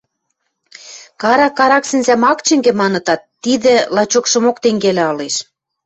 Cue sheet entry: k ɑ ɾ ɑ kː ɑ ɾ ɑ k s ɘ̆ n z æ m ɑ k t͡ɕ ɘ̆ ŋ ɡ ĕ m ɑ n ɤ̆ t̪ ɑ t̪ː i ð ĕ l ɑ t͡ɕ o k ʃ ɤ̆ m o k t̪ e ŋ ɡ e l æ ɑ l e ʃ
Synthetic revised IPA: k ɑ ɾ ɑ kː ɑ ɾ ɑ k s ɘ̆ n z æ m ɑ k t͡ɕ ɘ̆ ŋ ɡ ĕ m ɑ n ɤ̆ t̪ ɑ t̪ː i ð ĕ l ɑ t͡ɕ o k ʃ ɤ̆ m o k t̪ e ŋ ɡ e l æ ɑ l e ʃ

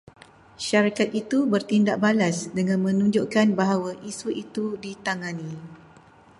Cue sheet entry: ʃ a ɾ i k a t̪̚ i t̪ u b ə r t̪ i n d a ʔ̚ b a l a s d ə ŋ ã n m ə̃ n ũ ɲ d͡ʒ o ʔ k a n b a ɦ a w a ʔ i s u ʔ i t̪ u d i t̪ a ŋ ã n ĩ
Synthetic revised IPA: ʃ a ɾ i k a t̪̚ i t̪ u b ə r t̪ i n d a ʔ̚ b a l a s d ə ŋ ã n m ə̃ n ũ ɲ d͡ʒ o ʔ k a n b a ɦ a w a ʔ i s u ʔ i t̪ u d i t̪ a ŋ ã n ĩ

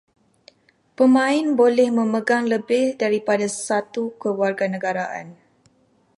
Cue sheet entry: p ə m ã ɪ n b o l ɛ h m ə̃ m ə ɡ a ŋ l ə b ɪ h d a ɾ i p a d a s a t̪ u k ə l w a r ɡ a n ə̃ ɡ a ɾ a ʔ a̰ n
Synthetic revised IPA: p ə m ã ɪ n b o l ɛ h m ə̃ m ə ɡ a ŋ l ə b ɪ h d a ɾ i p a d a s a t̪ u k ə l w a r ɡ a n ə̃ ɡ a ɾ a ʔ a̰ n

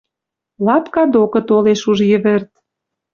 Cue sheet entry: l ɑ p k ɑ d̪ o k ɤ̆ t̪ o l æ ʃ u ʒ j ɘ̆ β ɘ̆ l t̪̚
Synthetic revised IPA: l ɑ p k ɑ d̪ o k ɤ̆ t̪ o l e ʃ u ʒ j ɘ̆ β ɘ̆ r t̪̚

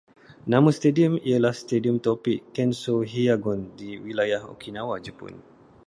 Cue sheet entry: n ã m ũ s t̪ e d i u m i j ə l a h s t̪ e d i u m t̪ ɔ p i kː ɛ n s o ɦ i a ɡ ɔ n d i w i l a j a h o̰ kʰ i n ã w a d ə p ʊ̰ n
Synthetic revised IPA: n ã m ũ s t̪ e d i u m i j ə l a h s t̪ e d i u m t̪ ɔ p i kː ɛ n s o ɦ i a ɡ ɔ n d i w i l a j a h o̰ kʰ i n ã w a d͡ʒ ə p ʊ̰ n

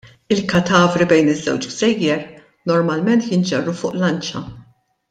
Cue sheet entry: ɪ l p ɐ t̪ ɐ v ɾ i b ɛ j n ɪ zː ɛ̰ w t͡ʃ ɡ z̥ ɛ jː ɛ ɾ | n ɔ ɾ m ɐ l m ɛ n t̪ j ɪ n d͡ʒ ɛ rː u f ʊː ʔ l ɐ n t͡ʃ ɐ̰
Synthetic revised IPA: ɪ l k ɐ t̪ ɐː v ɾ i b ɛ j n ɪ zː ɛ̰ w t͡ʃ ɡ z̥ ɛ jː ɛ ɾ | n ɔ ɾ m ɐ l m ɛ n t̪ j ɪ n d͡ʒ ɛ rː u f ʊː ʔ l ɐ n t͡ʃ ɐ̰

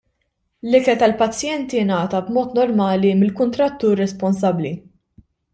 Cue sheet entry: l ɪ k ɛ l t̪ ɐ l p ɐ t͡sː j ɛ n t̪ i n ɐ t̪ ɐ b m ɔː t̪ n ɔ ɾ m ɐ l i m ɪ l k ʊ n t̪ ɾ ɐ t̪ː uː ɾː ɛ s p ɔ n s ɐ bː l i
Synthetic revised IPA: l ɪ k ɛ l t̪ ɐ l p ɐ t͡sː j ɛ n t̪ i n ɐː t̪ ɐ b m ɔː t̪ n ɔ ɾ m ɐː l i m ɪ l k ʊ n t̪ ɾ ɐ t̪ː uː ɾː ɛ s p ɔ n s ɐ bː l i

